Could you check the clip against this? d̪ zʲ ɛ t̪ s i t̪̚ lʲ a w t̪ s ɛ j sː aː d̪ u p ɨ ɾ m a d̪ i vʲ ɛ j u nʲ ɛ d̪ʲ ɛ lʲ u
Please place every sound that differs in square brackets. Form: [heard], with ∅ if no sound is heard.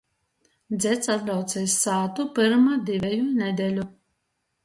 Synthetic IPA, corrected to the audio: d̪ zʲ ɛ t̪ s [a] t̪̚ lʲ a w t̪ s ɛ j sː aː [t̪] u p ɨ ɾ m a d̪ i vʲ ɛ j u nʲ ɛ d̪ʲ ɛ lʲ u